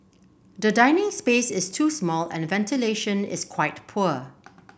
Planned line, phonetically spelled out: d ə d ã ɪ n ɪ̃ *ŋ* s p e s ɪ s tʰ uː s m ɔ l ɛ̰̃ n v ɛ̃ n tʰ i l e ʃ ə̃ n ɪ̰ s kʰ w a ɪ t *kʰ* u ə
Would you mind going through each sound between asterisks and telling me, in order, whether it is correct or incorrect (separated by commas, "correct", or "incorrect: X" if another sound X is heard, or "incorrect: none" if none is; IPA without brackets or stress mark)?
correct, incorrect: pʰ